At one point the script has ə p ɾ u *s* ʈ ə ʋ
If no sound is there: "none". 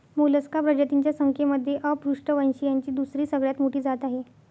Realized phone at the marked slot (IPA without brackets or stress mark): ʂ